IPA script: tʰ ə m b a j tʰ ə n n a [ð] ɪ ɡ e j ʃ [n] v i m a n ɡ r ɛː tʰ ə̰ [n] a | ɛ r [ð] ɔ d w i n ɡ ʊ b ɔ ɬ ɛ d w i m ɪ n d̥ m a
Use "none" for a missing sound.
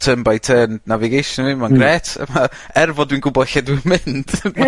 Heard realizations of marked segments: v, n, m, v

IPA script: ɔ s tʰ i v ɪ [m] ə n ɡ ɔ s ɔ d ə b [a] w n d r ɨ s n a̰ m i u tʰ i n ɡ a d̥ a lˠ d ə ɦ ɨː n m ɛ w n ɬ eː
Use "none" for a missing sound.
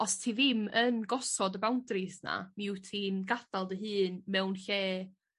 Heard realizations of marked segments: m, a

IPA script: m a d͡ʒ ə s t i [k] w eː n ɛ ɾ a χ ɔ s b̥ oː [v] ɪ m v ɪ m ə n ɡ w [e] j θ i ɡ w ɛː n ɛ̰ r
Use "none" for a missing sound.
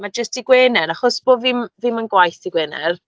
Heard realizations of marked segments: ɡ, v, a

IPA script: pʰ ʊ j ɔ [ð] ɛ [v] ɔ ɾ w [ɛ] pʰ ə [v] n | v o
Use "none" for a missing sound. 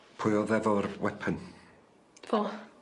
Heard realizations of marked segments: ð, v, ɛ, none

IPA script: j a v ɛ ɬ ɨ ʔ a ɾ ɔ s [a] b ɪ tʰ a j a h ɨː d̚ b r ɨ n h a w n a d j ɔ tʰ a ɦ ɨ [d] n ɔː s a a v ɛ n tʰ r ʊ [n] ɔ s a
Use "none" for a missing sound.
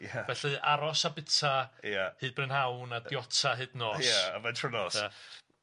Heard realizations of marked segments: a, d, n

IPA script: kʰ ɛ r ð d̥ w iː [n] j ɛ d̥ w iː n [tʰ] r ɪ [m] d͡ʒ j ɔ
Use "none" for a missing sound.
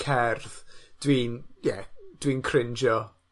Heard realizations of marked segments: n, kʰ, n

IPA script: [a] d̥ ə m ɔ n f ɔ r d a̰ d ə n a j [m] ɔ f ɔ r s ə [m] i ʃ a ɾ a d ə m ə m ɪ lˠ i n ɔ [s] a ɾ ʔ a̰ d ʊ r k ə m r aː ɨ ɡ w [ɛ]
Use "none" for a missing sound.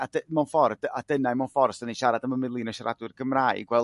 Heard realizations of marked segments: a, m, n, ʃ, ɛ

